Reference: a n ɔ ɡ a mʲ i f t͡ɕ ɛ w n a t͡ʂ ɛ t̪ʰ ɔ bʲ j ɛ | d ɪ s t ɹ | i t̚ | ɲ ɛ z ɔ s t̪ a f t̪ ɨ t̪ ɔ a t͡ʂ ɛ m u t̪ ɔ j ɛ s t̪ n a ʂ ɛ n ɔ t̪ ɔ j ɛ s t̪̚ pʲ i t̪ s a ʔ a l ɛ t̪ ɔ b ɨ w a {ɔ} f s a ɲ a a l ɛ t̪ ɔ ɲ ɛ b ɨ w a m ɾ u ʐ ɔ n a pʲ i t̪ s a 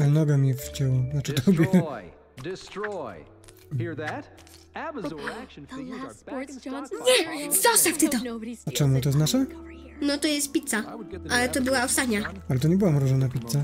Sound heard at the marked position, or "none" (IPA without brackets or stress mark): ɔ